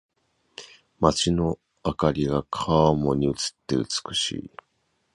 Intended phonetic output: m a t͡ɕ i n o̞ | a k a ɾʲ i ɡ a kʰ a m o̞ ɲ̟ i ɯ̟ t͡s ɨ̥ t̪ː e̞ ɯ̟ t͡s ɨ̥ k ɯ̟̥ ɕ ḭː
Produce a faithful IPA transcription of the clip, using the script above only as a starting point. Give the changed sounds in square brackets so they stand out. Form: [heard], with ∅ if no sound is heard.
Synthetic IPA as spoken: m a t͡ɕ i n o̞ | a k a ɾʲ i ɡ a kʰ a m o̞ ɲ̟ i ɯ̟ t͡s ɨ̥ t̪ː e̞ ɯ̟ t͡s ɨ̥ k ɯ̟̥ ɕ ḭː